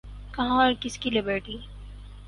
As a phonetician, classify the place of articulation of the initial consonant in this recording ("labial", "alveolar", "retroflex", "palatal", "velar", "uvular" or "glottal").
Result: velar